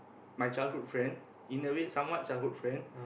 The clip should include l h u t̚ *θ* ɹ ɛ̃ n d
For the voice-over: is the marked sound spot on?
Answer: no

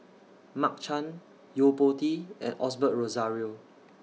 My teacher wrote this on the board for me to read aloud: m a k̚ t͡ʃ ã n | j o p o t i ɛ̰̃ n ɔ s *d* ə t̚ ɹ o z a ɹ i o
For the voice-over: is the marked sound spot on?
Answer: no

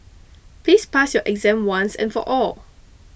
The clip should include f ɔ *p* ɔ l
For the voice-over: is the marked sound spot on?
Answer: no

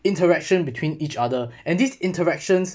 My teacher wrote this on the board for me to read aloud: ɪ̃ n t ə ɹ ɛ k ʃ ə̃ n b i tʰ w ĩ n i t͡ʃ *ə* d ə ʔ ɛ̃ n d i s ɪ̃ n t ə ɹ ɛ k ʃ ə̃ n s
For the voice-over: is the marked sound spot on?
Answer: no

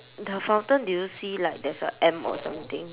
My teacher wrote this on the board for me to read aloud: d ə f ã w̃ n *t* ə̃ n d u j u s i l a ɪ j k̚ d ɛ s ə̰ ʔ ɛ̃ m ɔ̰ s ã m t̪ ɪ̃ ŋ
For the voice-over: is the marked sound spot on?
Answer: yes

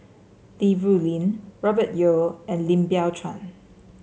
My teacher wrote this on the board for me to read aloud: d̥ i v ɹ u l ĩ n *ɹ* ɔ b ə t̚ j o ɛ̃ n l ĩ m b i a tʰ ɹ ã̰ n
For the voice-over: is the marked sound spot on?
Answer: yes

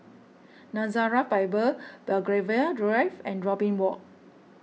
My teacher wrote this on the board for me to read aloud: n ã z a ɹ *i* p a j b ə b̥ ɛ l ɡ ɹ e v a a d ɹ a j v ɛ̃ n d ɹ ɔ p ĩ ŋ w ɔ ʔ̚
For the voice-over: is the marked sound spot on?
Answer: no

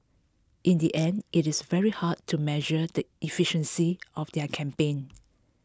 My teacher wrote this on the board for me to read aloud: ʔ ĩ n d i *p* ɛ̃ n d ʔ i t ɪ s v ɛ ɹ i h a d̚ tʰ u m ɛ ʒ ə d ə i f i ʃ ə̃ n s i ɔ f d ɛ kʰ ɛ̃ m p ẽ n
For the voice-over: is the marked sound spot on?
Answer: no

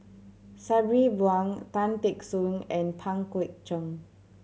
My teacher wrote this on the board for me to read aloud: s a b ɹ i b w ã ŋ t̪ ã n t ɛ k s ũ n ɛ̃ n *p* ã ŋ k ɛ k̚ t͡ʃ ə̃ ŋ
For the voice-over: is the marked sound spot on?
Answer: no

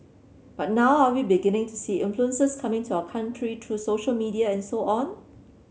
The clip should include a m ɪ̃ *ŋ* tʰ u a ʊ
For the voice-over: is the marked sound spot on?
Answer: yes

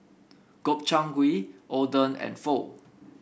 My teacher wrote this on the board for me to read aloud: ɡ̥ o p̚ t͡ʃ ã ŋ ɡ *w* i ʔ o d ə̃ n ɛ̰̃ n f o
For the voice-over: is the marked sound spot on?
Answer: yes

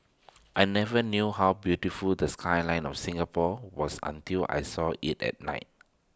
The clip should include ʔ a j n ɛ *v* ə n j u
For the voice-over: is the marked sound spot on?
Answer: yes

